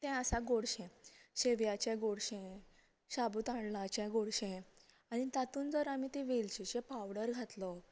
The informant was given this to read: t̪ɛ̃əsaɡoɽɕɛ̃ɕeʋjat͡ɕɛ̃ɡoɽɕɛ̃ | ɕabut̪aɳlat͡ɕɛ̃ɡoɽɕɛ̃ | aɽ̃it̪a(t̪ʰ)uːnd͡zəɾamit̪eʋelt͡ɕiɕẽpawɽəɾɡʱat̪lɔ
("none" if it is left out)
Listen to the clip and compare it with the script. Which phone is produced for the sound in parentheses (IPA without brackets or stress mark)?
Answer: t̪